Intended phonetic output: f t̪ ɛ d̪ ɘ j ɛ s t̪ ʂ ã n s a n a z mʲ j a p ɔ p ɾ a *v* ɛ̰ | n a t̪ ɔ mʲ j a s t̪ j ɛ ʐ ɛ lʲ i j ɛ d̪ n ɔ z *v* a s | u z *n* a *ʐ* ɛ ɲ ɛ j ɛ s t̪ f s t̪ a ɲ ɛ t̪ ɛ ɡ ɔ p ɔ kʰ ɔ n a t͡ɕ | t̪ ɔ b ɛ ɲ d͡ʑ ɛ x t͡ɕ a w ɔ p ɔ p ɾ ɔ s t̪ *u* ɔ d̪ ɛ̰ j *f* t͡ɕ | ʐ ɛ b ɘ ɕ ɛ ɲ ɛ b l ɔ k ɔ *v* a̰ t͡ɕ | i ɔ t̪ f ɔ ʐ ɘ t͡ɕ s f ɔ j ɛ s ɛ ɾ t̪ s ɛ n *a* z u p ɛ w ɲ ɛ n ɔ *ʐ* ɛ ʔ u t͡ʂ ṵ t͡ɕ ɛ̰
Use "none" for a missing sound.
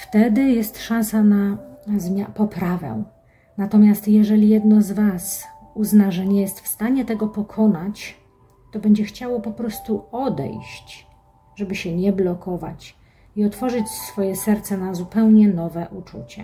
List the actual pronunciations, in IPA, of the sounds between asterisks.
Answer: v, v, n, ʐ, u, ɕ, v, a, v

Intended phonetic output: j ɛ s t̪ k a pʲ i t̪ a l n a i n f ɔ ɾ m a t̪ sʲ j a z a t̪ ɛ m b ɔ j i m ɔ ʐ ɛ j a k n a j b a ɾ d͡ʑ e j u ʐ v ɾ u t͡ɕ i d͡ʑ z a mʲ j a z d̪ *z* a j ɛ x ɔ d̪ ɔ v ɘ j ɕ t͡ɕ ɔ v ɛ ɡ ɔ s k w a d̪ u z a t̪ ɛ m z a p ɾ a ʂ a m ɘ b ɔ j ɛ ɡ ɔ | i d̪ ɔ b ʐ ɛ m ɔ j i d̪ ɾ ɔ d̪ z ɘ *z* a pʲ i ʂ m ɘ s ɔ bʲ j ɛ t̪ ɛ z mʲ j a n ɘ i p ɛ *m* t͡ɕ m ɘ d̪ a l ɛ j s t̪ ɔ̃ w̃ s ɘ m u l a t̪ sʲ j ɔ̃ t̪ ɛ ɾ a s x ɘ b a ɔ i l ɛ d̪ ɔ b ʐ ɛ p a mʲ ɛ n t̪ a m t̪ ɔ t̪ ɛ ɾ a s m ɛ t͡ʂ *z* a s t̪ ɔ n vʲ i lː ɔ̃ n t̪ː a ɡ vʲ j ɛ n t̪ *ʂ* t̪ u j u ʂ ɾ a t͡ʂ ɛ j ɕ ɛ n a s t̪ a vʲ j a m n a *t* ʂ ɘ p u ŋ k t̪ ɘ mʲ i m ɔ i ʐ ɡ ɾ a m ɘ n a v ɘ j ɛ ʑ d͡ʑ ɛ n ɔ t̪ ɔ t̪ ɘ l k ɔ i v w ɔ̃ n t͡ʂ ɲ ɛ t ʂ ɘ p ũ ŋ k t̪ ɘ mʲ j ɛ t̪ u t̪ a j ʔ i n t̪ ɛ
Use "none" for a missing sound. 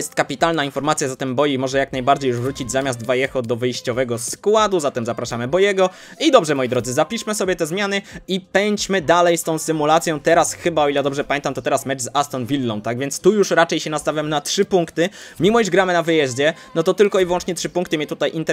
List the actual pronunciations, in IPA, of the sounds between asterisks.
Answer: v, z, ɲ, z, s, t

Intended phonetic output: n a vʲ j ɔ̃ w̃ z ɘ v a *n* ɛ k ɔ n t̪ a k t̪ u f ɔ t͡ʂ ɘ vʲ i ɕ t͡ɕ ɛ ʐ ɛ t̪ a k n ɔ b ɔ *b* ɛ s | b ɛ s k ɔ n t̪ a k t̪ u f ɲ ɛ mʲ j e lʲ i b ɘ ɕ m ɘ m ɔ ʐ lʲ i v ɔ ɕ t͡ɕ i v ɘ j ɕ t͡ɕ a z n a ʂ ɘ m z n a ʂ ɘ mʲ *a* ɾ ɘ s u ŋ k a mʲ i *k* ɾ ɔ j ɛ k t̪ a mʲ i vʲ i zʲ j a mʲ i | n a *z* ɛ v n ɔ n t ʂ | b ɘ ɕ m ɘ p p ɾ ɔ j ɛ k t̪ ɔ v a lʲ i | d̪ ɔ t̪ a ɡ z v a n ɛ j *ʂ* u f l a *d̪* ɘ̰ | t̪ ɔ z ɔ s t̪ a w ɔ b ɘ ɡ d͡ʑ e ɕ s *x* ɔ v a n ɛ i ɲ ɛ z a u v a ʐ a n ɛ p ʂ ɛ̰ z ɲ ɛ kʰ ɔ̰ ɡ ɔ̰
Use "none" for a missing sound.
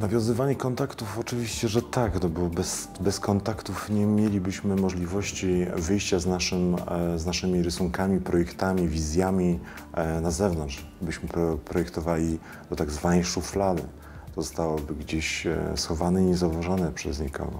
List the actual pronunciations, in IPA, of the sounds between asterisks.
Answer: ɲ, b, i, p, z, ʂ, d̪, x

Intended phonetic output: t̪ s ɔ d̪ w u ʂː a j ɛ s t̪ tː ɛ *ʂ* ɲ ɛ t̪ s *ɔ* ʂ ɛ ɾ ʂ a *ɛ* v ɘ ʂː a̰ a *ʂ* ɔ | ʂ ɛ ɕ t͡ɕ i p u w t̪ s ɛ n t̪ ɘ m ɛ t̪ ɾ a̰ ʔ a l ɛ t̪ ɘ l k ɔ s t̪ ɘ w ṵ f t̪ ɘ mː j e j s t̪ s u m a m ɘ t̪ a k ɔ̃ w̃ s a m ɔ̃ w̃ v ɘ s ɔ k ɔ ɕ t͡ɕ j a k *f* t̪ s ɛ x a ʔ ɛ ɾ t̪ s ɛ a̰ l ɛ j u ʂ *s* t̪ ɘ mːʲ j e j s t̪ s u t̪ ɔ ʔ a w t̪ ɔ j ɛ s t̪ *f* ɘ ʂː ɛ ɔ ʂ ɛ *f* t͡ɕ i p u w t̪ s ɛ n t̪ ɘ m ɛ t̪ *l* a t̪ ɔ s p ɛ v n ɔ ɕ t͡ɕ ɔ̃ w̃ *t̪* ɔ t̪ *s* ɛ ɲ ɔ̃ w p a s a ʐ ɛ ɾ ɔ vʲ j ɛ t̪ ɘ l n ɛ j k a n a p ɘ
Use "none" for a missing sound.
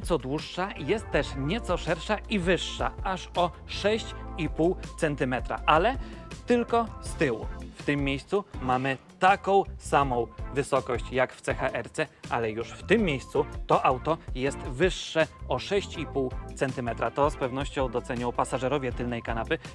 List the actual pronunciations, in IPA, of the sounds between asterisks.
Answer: ʂ, ɔ, i, ʂ, f, f, v, ɕ, ɾ, d̪, s

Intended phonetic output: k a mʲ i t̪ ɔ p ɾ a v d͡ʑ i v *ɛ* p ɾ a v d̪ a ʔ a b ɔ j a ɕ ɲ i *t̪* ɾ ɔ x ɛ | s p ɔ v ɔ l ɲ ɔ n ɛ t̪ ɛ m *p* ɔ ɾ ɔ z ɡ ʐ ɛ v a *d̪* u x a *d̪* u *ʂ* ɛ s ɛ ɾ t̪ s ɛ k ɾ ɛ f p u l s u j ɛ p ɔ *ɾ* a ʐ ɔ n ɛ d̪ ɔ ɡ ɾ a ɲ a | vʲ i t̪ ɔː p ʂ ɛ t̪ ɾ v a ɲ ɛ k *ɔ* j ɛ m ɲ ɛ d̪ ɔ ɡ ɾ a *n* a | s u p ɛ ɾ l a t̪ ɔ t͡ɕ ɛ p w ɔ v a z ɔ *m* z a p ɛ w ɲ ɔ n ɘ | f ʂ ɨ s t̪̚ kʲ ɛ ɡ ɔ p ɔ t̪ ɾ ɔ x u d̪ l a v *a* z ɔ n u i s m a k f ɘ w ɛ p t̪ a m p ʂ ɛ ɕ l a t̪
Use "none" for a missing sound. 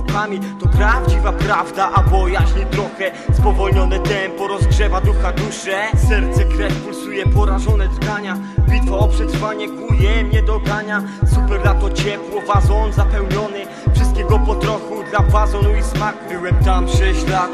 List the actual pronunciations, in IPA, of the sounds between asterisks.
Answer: a, t̪, p, d̪, d̪, ʂ, ɾ, u, ɲ, n, a

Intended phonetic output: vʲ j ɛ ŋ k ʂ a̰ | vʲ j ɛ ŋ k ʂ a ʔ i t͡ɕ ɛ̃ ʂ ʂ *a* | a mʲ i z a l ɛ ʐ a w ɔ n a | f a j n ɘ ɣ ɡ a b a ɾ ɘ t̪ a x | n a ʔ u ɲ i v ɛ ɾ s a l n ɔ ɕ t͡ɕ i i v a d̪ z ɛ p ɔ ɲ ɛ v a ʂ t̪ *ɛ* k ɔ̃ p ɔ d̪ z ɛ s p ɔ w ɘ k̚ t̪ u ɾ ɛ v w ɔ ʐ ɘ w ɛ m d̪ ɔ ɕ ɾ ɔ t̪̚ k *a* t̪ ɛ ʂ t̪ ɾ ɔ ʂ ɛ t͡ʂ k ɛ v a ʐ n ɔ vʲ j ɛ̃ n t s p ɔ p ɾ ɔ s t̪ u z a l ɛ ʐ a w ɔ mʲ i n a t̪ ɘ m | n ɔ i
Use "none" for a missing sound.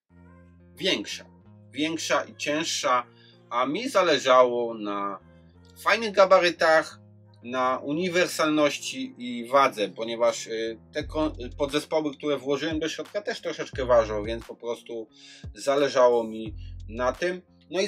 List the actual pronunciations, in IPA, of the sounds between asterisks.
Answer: a, ɛ, a

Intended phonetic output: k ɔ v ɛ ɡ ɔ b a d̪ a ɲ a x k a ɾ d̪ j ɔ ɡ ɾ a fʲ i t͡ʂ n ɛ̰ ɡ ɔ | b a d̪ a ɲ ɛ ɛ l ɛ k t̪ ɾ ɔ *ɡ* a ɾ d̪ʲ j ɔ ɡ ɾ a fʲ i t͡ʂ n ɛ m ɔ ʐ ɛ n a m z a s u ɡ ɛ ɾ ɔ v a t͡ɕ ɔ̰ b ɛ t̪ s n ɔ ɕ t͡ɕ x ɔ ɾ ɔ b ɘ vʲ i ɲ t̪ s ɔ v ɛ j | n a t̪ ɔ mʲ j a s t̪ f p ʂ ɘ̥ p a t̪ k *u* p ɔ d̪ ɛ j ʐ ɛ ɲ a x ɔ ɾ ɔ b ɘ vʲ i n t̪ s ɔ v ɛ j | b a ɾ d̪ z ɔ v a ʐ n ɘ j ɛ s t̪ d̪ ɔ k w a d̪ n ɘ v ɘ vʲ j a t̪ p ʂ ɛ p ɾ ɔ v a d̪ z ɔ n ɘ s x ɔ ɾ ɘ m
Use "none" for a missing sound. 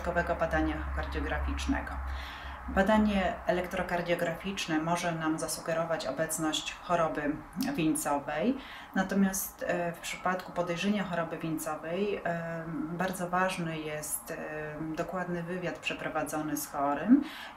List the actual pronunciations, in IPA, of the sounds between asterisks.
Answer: k, u

